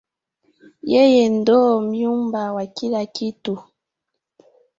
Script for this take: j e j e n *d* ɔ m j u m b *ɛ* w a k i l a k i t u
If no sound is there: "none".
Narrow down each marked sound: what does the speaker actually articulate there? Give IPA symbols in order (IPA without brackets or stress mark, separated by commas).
d, a